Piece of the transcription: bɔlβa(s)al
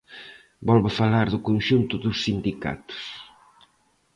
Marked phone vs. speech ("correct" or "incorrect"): incorrect